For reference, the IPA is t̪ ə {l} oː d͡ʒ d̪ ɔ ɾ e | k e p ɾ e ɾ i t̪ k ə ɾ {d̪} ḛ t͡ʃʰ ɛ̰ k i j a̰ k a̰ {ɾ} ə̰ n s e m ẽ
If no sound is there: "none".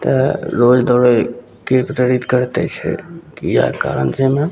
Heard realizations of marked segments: ɾ, t̪, ɾ

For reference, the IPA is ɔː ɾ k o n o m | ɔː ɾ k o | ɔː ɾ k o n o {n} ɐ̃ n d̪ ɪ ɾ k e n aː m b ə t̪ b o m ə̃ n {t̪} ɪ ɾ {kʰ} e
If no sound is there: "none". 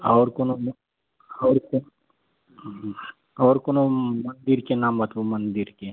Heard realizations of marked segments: m, d̪, k

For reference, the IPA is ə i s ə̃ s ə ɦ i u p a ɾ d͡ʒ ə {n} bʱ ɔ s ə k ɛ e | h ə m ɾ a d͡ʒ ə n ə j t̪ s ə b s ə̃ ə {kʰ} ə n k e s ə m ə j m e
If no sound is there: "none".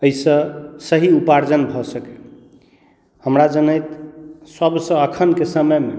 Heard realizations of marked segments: n, kʰ

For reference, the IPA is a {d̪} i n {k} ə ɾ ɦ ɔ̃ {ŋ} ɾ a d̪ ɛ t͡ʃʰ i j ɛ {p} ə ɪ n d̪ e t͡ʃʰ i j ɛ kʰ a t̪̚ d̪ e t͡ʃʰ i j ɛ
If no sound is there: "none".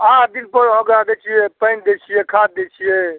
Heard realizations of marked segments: d̪, p, ɡ, p

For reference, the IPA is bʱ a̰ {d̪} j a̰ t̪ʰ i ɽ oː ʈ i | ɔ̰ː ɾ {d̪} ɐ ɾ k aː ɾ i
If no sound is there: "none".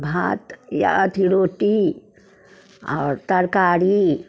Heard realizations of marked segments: t̪, t̪

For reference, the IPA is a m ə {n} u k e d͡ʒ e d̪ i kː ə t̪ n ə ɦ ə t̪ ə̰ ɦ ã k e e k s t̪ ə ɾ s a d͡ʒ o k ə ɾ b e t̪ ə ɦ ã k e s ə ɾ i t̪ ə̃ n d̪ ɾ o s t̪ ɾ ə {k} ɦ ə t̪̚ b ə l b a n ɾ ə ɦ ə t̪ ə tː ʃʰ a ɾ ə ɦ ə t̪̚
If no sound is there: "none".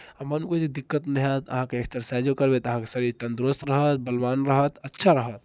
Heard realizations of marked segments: n, none

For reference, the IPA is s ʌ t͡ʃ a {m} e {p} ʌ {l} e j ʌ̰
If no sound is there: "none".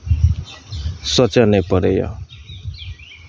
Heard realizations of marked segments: n, p, ɾ

